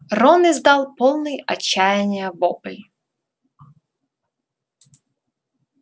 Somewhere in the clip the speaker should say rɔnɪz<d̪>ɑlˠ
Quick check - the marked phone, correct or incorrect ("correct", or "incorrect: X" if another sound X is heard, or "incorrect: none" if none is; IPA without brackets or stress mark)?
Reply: correct